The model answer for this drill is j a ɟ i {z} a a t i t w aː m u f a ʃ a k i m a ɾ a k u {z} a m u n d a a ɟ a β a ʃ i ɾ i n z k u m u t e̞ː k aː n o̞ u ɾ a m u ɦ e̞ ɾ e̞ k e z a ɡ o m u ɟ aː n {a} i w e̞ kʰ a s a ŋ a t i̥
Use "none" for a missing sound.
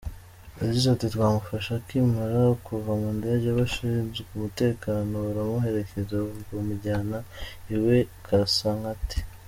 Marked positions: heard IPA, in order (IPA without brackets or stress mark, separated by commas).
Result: z, v, a